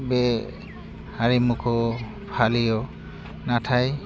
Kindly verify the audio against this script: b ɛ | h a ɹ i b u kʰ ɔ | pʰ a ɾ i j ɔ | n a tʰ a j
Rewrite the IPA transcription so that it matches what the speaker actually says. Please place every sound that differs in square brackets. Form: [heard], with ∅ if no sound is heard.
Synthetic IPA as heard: b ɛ | h a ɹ i [m] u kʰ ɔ | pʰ a [l] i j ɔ | n a tʰ a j